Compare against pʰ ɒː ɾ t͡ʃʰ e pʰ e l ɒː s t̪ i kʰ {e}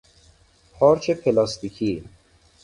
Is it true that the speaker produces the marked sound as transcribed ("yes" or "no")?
no